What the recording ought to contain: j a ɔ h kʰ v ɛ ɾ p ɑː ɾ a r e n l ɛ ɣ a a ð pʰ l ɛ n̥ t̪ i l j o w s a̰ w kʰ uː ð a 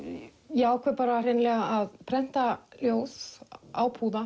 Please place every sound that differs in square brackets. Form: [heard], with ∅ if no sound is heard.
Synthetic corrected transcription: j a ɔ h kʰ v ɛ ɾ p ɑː ɾ a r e n l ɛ ɣ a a ð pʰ [ɾ] ɛ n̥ t̪ [a] l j o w s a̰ w [pʰ] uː ð a